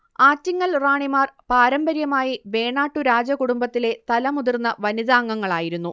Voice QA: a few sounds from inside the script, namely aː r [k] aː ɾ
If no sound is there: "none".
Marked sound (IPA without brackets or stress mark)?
p